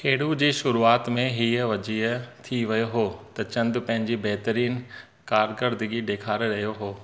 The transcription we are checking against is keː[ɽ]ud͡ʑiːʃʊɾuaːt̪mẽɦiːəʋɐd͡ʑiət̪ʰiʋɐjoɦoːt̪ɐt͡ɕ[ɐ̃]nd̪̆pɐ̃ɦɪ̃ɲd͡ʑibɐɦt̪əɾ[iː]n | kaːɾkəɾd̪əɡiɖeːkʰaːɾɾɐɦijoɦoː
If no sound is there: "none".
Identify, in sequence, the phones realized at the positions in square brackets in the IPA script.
ɽ, ɐ̃, iː

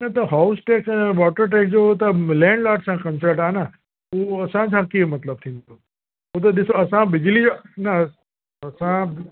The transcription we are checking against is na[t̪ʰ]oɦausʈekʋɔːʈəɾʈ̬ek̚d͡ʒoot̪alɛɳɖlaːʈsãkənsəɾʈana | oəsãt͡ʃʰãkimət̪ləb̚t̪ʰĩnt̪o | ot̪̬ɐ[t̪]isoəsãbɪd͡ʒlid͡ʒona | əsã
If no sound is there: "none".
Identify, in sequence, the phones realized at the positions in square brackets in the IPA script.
t̪, d̪

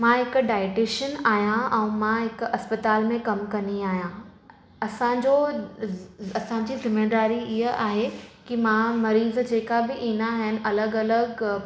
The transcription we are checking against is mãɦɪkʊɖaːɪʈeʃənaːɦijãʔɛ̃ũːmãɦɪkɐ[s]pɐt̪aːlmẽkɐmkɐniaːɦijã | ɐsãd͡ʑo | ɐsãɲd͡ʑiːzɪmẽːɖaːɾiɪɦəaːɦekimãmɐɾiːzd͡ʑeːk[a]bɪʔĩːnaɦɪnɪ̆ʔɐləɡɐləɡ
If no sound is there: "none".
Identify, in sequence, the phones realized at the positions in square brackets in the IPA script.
s, a

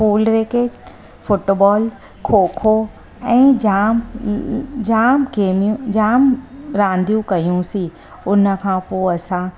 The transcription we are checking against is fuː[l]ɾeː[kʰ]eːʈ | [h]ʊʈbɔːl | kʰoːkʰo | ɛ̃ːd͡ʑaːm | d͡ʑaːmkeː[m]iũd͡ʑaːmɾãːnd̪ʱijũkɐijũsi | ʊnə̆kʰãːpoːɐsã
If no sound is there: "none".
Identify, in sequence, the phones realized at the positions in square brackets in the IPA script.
l, k, f, m

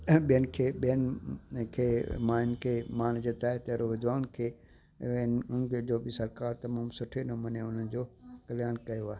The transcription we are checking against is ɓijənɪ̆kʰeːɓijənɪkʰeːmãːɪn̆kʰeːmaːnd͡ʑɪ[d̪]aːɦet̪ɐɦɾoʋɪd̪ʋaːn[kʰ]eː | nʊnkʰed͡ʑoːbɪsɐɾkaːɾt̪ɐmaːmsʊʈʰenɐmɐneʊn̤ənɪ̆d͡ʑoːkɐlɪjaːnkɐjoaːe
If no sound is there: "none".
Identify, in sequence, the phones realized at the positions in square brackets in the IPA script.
t̪, kʰ

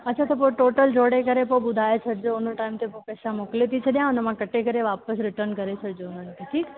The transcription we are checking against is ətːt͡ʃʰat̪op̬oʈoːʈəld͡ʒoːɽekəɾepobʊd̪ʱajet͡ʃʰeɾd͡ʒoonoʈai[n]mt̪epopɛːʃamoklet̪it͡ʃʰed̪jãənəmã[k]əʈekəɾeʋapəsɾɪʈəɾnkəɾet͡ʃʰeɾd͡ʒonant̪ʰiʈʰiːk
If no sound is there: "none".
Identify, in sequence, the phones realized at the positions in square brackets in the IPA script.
none, k

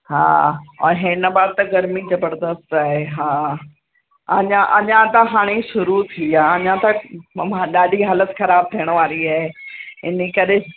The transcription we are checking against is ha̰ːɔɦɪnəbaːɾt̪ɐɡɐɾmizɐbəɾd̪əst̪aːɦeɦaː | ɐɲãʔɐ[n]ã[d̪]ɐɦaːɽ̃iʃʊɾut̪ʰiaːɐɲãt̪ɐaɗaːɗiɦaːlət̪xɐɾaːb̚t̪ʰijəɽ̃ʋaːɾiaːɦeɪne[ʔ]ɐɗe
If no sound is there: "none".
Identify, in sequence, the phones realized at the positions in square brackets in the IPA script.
ɲ, t̪, k

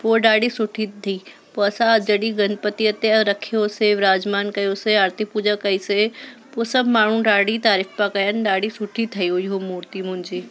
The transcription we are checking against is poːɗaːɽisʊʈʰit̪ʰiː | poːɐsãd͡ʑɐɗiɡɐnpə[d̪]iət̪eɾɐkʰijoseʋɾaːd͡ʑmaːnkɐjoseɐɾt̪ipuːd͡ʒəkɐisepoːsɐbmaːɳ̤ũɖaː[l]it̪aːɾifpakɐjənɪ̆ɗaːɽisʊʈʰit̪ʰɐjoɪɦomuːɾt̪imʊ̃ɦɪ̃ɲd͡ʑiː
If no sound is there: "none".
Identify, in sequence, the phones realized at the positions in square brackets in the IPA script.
t̪, ɽ

